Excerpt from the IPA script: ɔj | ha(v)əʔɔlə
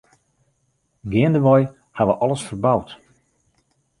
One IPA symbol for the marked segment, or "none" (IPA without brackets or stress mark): ʋ